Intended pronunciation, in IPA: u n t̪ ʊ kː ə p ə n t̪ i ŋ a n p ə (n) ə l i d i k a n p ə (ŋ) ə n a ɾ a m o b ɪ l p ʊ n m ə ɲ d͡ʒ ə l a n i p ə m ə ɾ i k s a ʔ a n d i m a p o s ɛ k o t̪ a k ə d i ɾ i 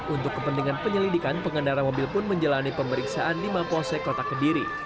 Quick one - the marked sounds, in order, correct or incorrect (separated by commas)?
incorrect, correct